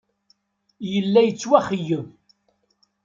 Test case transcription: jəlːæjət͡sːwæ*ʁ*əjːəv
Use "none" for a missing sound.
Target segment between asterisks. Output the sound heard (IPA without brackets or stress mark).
χ